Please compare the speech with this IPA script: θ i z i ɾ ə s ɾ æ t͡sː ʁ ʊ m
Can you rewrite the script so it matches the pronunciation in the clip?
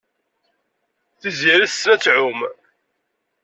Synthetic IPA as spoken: θ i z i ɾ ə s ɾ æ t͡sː ʕ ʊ m